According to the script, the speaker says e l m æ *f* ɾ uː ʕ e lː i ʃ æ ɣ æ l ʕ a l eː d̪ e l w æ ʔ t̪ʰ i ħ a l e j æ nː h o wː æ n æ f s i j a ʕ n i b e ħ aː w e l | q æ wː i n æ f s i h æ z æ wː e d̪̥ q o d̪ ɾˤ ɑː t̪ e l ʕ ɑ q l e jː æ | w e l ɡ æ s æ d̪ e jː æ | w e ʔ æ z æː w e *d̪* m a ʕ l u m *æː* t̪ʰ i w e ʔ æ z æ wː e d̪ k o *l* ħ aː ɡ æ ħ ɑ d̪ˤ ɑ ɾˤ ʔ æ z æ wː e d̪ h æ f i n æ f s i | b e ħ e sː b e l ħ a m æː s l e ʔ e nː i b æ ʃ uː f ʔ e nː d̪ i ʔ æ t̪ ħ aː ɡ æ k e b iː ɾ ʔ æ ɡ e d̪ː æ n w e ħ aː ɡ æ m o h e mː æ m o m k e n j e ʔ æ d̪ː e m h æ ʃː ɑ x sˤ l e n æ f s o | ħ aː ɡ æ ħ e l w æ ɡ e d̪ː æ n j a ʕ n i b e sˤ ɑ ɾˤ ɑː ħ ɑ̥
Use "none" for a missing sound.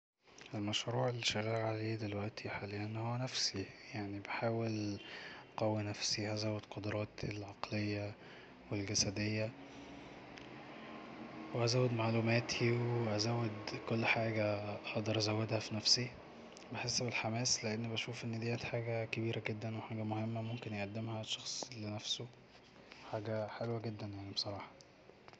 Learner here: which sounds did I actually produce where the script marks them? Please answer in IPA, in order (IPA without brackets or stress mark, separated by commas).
ʃ, d̪, æː, lː